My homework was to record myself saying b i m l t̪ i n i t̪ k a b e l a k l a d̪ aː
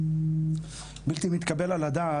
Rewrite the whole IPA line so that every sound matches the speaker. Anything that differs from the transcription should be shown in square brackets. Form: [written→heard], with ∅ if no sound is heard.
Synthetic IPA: b i [m→∅] l t̪ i [n→m] i t̪ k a b e l a [k→∅] l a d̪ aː

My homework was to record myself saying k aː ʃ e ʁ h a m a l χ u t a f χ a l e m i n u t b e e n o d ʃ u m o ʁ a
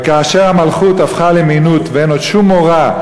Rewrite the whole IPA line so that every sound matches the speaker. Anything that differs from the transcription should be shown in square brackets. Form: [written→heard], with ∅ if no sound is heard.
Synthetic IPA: k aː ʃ e ʁ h a m a l χ u t a f χ a l e m i n u t [b→v] e e n o d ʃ u m o ʁ a

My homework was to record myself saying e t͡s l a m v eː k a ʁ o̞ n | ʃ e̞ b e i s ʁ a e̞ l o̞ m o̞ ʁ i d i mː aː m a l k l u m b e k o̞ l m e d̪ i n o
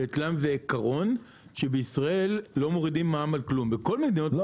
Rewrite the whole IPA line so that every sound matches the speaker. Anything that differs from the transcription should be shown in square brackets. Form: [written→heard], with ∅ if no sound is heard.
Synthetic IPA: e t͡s l a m v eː k a ʁ o̞ n | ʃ e̞ b e i s ʁ a e̞ [l→lː] o̞ m o̞ ʁ i d i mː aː m a l k l u m b e k o̞ l m e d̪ i n o

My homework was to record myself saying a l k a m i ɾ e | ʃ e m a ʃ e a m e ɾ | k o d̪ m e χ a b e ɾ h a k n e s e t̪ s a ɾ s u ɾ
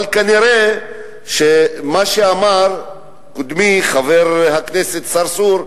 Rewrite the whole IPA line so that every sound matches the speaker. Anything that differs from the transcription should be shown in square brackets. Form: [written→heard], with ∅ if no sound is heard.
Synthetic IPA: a l k a [m→n] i ɾ e | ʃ e m a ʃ e a m [e→a] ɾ | k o d̪ m [e→i] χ a [b→v] e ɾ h a k n e s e t̪ s a ɾ s u ɾ

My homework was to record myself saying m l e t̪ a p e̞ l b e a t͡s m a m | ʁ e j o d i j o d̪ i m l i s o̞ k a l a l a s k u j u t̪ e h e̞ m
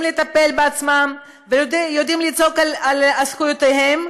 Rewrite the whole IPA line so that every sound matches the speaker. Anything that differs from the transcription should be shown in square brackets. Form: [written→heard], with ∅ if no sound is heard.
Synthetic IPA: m l e t̪ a p e̞ l b e a t͡s m a m | [ʁ→v] e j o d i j o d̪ i m l i [s→t͡s] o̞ k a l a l a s k u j [u→o] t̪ e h e̞ m

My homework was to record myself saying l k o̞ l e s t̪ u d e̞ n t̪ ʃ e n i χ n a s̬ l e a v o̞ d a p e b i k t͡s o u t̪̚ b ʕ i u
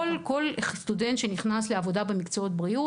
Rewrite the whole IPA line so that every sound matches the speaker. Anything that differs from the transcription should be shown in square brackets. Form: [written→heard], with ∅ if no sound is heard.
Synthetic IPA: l k o̞ l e s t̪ u d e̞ n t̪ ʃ e n i χ n a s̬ l e a v o̞ d a [p→b] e [b→m] i k t͡s o [u→o] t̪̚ b [ʕ→ʁ] i u

